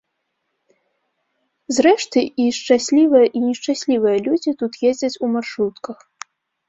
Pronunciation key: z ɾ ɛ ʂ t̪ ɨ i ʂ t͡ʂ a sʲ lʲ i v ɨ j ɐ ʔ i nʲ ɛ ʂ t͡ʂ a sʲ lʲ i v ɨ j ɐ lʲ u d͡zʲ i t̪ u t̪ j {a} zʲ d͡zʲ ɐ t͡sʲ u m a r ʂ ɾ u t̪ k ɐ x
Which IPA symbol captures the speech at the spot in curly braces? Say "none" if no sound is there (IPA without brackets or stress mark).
e